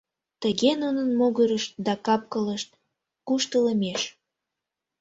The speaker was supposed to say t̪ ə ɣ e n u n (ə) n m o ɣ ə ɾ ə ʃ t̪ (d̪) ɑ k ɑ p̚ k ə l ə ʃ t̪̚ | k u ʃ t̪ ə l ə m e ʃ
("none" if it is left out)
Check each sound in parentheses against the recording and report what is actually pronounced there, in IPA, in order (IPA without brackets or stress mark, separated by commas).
ə, d̪